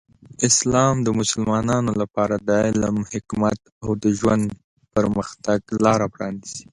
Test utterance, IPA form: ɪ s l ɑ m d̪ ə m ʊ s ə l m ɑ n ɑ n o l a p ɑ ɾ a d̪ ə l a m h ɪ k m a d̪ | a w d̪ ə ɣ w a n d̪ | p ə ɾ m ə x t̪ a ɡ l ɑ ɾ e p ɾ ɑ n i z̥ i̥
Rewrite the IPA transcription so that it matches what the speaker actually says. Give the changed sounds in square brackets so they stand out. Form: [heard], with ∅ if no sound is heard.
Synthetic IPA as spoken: ɪ s l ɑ m d̪ ə m ʊ s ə l m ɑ n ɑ n o l a p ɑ ɾ a d̪ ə l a m h ɪ k m a [t̪] | a w d̪ ə [ʒ] w a n d̪ | p ə ɾ m ə x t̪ a ɡ l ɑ ɾ [a] p ɾ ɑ n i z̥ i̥